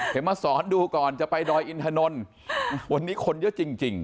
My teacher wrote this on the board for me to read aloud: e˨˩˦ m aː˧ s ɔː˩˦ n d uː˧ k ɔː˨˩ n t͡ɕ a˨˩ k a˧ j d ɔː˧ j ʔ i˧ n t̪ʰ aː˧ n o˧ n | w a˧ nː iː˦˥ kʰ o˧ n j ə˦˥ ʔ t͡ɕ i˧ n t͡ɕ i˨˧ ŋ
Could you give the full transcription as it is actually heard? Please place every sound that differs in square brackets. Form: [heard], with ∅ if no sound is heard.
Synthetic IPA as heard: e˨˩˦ m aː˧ s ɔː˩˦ n d uː˧ k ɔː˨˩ n t͡ɕ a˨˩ [p] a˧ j d ɔː˧ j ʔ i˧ n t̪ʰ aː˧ n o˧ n | w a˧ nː iː˦˥ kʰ o˧ n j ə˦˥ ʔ t͡ɕ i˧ [ŋ] t͡ɕ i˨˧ ŋ